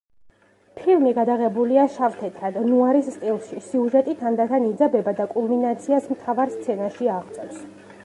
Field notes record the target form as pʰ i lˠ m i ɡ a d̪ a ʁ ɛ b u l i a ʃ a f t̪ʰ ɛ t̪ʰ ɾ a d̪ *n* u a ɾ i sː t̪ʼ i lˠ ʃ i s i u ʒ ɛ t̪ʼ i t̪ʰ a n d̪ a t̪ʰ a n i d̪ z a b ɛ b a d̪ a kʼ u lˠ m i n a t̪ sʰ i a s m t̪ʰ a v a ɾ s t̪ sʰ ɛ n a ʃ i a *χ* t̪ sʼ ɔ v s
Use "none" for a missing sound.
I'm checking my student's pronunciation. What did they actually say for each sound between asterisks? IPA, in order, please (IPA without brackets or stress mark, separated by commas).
n, ʁ